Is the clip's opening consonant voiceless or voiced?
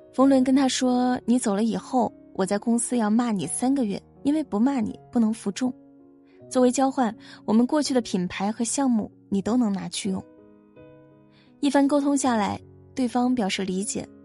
voiceless